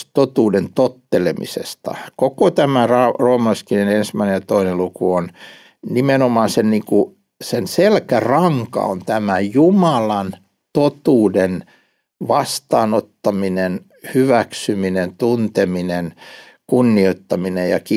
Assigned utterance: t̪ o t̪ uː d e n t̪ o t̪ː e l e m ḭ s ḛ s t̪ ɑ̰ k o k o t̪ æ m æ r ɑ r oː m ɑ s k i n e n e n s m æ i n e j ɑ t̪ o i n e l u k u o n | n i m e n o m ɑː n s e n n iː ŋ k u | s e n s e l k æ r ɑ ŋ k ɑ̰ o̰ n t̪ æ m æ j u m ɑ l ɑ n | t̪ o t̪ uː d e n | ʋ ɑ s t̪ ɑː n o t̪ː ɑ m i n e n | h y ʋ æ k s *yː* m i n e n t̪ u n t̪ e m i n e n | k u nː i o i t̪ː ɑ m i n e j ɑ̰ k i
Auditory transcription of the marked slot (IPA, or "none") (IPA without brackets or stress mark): y